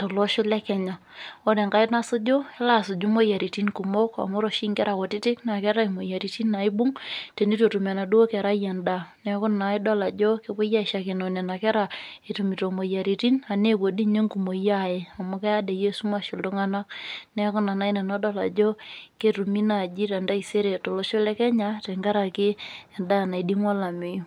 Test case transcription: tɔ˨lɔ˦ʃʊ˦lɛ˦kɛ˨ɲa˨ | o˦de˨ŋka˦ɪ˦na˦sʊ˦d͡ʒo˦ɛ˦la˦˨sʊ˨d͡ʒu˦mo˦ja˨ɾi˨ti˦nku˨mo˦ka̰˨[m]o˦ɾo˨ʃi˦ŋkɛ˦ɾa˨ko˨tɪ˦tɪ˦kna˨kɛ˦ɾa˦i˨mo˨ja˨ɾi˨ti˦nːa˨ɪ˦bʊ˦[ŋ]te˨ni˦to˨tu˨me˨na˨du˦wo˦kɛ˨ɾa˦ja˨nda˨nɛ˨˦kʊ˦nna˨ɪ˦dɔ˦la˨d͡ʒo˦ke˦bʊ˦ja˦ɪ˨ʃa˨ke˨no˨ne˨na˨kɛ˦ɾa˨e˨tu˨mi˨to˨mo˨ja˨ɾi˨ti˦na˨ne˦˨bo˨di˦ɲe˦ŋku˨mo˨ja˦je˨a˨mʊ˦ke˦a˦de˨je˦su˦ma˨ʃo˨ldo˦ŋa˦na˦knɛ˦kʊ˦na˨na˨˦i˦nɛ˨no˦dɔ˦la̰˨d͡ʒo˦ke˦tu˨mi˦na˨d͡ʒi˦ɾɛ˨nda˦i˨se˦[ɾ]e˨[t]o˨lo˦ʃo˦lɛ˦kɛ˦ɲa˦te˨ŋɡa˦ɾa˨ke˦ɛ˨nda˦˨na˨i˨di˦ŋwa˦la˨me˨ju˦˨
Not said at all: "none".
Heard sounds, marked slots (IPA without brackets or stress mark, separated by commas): m, ŋ, ɾ, t